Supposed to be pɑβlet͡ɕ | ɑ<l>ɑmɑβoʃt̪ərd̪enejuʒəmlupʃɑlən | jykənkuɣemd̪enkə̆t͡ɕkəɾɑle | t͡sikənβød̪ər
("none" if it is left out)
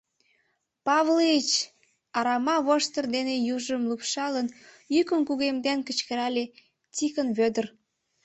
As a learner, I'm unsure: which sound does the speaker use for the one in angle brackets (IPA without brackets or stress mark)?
ɾ